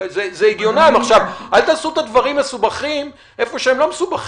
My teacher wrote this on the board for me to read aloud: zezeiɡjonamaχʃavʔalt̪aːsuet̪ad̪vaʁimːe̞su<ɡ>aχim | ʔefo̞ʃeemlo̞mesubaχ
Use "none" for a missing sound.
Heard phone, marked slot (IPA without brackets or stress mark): b